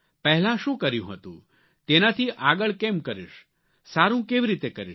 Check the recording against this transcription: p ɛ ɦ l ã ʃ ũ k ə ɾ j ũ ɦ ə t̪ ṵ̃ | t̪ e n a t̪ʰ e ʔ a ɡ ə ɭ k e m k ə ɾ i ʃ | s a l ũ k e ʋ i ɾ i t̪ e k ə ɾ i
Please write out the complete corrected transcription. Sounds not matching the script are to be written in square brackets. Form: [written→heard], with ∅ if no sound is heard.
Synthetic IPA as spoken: p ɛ ɦ l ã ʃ ũ k ə ɾ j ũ ɦ ə t̪ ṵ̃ | t̪ e n a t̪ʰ [e→i] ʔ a ɡ ə ɭ k e m k ə ɾ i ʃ | s a [l→ɾ] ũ k e ʋ i ɾ i t̪ e k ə ɾ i

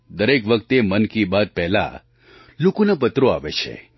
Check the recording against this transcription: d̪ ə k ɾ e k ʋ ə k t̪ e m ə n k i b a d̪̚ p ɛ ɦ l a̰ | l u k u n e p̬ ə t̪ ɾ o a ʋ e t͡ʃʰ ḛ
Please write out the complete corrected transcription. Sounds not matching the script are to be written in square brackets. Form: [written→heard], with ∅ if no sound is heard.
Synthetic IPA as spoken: d̪ ə [k→∅] ɾ e k ʋ ə k t̪ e m ə n k i b a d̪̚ p ɛ ɦ l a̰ | l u k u n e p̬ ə t̪ ɾ o a ʋ e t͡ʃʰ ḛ

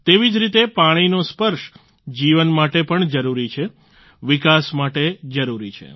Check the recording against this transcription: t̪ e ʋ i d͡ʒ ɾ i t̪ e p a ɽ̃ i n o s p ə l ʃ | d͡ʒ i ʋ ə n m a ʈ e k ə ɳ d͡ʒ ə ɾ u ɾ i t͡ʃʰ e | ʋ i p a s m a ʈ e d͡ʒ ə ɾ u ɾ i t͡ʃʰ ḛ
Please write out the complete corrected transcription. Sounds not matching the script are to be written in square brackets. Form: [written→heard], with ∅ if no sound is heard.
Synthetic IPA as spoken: t̪ e ʋ i d͡ʒ ɾ i t̪ e p a ɽ̃ i n o s p ə [l→ɾ] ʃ | d͡ʒ i ʋ ə n m a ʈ e [k→p] ə ɳ d͡ʒ ə ɾ u ɾ i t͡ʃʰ e | ʋ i [p→k] a s m a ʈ e d͡ʒ ə ɾ u ɾ i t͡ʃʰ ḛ

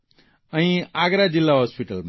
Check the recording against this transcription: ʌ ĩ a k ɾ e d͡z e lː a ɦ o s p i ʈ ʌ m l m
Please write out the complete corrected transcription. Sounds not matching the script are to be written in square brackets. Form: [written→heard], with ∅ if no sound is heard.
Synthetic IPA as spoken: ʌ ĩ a [k→ɡ] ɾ [e→a] d͡z [e→i] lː a ɦ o s p i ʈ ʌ [m→∅] l m

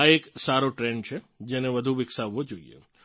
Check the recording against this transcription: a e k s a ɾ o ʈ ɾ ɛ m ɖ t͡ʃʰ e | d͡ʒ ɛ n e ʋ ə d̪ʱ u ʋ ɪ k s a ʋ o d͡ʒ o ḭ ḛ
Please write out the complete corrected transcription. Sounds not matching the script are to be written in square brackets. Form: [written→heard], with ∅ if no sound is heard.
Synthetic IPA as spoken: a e k s a ɾ o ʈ ɾ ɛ [m→ɳ] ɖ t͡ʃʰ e | d͡ʒ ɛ n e ʋ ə d̪ʱ u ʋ ɪ k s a ʋ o d͡ʒ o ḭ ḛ

